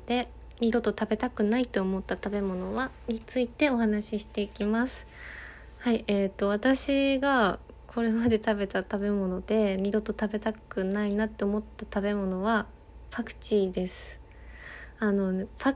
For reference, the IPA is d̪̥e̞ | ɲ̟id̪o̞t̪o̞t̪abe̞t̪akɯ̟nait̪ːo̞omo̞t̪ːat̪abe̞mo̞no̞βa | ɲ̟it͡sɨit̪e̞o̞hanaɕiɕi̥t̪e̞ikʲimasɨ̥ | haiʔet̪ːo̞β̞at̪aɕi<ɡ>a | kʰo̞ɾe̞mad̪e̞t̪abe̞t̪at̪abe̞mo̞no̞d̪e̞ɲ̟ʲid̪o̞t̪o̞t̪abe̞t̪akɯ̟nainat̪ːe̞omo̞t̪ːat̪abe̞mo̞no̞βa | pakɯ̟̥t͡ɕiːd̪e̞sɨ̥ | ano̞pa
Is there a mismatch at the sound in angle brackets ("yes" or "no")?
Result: no